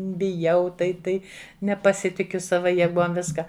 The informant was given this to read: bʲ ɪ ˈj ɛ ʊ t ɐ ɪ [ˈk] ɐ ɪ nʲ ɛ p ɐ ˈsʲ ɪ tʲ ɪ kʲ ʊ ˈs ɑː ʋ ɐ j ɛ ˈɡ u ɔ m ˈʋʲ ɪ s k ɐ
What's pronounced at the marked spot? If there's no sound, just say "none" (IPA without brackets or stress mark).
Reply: t